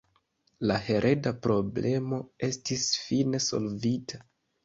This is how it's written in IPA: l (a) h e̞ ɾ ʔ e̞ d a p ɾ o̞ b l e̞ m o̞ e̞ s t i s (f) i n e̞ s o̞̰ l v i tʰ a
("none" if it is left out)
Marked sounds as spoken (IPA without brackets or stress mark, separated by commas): a, f